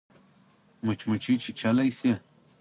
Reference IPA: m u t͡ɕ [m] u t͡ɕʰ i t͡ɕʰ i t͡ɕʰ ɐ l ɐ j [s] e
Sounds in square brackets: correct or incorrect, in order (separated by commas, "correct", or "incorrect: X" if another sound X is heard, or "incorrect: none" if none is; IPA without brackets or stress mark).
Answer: correct, correct